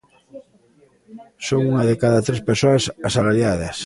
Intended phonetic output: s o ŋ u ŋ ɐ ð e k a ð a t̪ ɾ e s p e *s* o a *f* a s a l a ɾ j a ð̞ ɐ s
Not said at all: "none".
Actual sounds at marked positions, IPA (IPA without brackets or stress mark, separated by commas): s, s